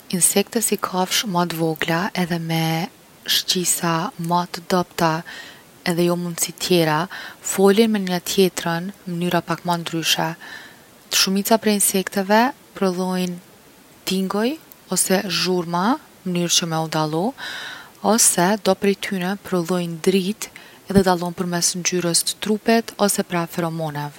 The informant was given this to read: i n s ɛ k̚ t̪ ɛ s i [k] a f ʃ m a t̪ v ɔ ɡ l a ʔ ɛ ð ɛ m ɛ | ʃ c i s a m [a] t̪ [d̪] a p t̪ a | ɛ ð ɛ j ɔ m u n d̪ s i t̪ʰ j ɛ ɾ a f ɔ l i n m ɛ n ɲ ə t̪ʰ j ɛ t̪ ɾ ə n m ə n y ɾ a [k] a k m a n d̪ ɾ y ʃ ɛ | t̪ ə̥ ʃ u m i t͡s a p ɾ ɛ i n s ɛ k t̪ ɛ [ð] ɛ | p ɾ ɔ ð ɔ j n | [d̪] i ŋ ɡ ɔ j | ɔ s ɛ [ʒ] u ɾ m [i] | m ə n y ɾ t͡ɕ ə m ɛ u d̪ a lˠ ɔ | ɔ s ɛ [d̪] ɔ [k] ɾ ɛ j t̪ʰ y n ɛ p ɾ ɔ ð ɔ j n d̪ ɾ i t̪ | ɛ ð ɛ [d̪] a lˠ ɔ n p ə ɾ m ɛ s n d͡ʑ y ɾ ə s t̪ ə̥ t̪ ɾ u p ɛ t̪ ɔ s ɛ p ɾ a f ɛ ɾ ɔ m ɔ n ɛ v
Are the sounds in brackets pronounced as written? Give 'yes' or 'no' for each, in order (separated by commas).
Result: no, yes, yes, no, no, no, yes, no, yes, no, yes